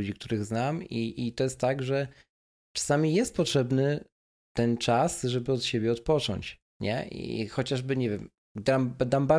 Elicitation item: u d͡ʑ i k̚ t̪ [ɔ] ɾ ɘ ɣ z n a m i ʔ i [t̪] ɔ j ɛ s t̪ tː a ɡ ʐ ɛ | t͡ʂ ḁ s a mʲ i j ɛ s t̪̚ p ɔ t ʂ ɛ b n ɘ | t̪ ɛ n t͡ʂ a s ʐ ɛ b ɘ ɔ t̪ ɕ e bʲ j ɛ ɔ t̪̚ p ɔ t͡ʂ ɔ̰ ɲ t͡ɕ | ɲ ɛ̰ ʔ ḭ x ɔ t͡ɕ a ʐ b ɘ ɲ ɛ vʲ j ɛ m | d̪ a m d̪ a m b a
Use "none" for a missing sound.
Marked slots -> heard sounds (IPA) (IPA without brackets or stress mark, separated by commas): u, t̪